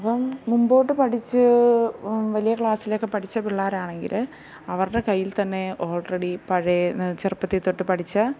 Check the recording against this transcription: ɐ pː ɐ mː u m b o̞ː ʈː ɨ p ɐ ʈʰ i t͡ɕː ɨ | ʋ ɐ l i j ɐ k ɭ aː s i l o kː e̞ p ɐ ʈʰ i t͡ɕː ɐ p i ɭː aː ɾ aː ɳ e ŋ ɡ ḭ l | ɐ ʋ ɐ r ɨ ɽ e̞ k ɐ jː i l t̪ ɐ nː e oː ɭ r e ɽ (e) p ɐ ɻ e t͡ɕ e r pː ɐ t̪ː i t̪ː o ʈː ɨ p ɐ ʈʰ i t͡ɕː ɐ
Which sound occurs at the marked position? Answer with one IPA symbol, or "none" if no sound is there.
i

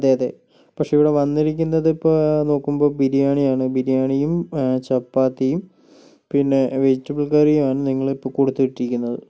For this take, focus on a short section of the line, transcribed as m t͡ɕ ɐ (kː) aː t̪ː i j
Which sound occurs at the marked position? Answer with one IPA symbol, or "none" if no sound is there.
pː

